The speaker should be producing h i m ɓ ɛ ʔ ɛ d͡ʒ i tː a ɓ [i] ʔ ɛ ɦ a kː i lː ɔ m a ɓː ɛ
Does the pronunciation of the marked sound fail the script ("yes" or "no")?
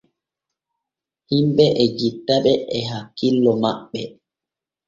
yes